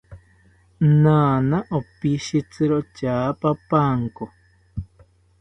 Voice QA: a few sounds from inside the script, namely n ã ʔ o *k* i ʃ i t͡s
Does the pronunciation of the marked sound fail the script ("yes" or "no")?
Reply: yes